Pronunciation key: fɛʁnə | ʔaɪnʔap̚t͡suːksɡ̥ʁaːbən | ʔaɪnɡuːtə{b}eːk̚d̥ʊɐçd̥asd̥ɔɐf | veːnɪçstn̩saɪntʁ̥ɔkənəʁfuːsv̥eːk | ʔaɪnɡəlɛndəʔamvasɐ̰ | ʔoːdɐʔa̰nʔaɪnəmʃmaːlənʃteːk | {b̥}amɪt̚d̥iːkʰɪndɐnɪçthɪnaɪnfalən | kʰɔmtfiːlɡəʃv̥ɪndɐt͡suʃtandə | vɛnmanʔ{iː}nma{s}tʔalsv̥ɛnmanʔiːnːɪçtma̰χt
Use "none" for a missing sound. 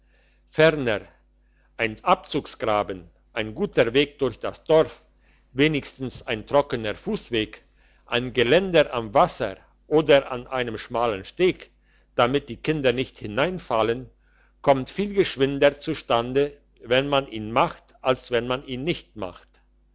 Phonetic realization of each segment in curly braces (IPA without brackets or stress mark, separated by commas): v, d̥, iː, χ